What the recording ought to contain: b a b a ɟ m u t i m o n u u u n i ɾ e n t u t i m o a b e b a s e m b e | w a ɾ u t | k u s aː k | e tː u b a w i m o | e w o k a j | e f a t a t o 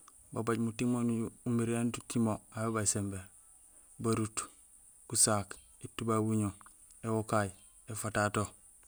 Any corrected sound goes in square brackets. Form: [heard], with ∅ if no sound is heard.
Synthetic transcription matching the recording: b a b a ɟ m u t i m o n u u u [m] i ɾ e n t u t i m o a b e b a s e m b e | [b] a ɾ u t | k u s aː k | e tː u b a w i [ɲ] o | e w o k a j | e f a t a t o